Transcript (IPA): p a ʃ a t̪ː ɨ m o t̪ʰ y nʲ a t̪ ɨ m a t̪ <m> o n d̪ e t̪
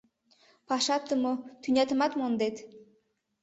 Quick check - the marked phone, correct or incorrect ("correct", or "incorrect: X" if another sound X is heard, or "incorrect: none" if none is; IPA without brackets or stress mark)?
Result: correct